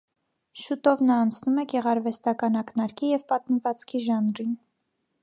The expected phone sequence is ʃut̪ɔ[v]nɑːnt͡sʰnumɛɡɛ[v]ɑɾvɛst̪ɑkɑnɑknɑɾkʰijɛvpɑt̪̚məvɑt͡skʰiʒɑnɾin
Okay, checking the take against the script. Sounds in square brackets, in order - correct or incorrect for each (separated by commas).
correct, incorrect